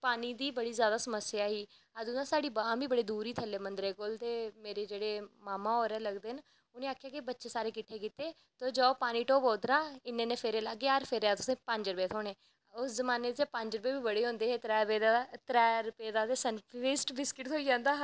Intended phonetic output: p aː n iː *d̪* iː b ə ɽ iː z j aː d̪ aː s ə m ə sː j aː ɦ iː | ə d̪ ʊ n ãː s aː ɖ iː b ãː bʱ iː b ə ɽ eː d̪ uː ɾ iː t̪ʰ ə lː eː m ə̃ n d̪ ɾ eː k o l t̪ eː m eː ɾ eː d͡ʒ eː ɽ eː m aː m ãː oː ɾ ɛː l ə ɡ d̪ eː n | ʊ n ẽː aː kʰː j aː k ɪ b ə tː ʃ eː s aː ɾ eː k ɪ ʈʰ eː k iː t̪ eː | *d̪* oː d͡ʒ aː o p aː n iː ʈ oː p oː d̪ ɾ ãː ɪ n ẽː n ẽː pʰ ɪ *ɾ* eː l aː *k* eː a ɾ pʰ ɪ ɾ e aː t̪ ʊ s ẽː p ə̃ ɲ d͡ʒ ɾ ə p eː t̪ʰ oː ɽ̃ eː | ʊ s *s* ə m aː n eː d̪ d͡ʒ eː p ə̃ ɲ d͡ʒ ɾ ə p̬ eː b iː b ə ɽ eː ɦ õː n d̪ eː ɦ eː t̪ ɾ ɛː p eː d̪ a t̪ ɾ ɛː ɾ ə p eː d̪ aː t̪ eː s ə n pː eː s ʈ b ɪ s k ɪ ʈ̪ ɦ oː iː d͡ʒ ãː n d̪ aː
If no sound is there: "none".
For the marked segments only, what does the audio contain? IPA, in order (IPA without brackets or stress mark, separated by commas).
d̪, t̪, ɾ, ɡ, z